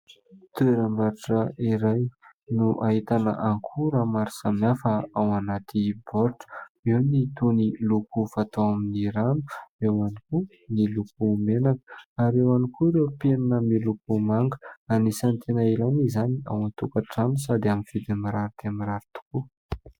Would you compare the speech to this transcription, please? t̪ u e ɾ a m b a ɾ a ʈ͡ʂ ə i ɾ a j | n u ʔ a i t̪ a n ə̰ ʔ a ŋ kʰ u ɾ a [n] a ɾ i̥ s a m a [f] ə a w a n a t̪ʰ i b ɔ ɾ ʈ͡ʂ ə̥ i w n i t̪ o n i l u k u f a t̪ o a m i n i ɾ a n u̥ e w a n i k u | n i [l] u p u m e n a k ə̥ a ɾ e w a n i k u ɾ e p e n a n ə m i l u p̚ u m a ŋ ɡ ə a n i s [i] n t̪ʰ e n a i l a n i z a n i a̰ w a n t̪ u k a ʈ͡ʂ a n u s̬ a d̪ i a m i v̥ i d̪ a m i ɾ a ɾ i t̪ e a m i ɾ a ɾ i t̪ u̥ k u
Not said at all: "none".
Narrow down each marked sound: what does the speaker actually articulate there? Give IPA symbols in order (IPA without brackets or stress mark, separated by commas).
m, f, l, a